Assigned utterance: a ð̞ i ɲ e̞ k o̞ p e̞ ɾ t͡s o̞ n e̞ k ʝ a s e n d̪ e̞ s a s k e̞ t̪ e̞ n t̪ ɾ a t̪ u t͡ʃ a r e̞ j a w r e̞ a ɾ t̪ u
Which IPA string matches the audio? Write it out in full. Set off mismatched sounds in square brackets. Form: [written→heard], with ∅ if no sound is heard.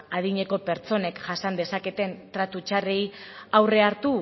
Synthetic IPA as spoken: a ð̞ i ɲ e̞ k o̞ p e̞ ɾ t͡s o̞ n e̞ k ʝ a s [e→a] n d̪ e̞ s a [s→∅] k e̞ t̪ e̞ n t̪ ɾ a t̪ u t͡ʃ a r e̞ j a w r e̞ a ɾ t̪ u

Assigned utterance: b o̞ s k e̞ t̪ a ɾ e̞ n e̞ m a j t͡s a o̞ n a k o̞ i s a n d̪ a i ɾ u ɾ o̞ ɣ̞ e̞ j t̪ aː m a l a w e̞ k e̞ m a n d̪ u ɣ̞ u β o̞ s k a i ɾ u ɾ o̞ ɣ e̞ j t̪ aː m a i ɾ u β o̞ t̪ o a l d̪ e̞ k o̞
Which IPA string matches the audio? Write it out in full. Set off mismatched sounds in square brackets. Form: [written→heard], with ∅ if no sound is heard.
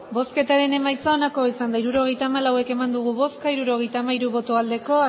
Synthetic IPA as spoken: b o̞ s k e̞ t̪ a ɾ e̞ n e̞ m a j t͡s a o̞ n a k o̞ i s a n d̪ a i ɾ u ɾ o̞ ɣ̞ e̞ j t̪ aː m a l a w e̞ k e̞ m a n d̪ u ɣ̞ u β o̞ s k a i ɾ u ɾ o̞ ɣ e̞ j t̪ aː m a i ɾ u β o̞ t̪ o a l d̪ e̞ k o̞

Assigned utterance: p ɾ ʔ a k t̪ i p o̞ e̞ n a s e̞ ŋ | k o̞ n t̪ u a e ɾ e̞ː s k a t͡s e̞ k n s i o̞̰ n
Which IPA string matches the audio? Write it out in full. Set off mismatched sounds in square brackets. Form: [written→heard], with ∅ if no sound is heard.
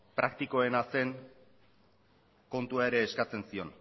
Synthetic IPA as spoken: p ɾ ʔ a k t̪ i [p→k] o̞ e̞ n a s e̞ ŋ | k o̞ n t̪ u a e ɾ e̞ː s k a t͡s e̞ [k→∅] n s i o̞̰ n

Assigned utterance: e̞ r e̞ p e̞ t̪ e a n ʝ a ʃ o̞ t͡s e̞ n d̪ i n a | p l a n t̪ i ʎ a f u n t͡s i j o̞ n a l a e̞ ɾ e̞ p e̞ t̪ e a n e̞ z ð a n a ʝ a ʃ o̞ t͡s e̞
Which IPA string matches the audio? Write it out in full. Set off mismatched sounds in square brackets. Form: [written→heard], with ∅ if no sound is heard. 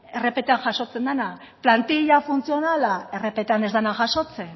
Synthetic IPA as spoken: e̞ r e̞ p e̞ t̪ e a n ʝ a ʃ o̞ t͡s e̞ n d̪ [i→a] n a | p l a n t̪ i ʎ a f u n t͡s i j o̞ n a l a e̞ [ɾ→r] e̞ p e̞ t̪ e a n e̞ z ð a n a ʝ a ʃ o̞ t͡s e̞

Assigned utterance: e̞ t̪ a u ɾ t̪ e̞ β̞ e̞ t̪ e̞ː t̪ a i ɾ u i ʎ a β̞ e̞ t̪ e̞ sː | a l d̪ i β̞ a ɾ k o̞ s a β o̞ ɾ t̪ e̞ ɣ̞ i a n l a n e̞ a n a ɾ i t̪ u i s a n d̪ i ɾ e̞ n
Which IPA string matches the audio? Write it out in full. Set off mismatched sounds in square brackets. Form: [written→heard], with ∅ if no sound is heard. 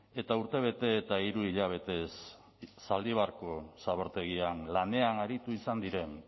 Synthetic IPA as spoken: e̞ t̪ a u ɾ t̪ e̞ β̞ e̞ t̪ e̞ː t̪ a i ɾ u i ʎ a β̞ e̞ t̪ e̞ sː | a l d̪ i β̞ a ɾ k o̞ s a β o̞ ɾ t̪ e̞ ɣ̞ i a n l a n e̞ a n a ɾ i t̪ u i s a n d̪ i ɾ e̞ n

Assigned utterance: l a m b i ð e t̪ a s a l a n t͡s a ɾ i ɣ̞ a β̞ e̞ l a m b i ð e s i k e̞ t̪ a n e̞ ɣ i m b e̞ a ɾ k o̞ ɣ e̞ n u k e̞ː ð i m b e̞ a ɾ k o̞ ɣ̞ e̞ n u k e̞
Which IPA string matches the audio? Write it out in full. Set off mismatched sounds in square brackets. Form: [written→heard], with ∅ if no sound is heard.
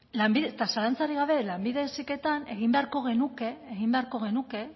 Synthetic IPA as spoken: l a m b i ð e t̪ a s a l a n t͡s a ɾ i ɣ̞ a β̞ e̞ l a m b i ð e s i k e̞ t̪ a n e̞ ɣ i m b e̞ a ɾ k o̞ ɣ e̞ n u k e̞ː [ð→ɣ] i m b e̞ a ɾ k o̞ ɣ̞ e̞ n u k e̞

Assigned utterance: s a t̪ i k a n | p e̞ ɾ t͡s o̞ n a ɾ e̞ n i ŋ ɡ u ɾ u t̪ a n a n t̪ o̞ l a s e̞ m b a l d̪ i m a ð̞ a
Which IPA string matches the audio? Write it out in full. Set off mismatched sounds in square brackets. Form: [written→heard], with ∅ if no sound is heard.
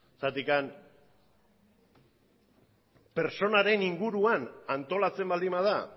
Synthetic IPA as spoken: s a t̪ i k a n | p e̞ ɾ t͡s o̞ n a ɾ e̞ n i ŋ ɡ u ɾ u [t̪→∅] a n a n t̪ o̞ l a [s→t͡s] e̞ m b a l d̪ i m a ð̞ a

